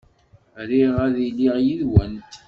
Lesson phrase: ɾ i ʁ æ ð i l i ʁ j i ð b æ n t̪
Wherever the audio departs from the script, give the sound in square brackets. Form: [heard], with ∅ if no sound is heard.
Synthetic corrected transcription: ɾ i ʁ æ ð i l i ʁ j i ð [w] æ n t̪